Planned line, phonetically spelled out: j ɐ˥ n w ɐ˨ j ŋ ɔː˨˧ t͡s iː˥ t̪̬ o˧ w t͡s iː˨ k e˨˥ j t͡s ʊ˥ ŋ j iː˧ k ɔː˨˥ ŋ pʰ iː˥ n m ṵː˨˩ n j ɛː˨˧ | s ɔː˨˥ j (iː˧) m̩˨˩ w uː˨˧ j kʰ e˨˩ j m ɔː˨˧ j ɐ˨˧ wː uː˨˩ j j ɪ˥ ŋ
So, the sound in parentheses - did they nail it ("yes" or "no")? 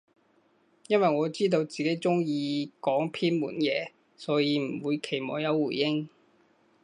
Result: yes